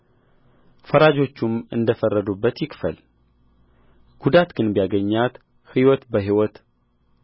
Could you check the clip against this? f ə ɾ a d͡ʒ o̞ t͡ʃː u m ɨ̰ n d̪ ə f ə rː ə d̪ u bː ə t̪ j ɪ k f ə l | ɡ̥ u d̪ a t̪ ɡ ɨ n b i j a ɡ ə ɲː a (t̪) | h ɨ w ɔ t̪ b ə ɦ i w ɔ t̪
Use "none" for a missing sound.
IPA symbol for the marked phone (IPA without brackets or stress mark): t̪